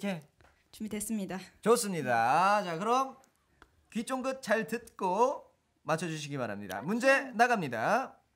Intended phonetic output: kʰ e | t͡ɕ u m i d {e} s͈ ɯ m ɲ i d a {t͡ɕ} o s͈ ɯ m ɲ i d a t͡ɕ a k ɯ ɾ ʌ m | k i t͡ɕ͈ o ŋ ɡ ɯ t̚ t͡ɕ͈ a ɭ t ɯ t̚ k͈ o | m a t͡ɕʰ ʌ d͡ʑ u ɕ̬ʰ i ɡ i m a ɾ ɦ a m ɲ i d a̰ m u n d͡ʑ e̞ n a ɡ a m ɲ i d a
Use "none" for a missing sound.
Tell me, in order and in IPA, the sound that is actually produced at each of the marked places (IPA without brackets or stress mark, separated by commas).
e, t͡ɕ